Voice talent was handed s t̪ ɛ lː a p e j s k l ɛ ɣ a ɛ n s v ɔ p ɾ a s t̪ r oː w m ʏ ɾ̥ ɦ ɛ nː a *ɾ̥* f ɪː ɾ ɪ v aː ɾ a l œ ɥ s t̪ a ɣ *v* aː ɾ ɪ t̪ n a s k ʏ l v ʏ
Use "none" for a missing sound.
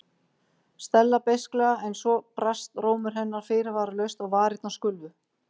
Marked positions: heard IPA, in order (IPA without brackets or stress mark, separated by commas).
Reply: ɾ̥, v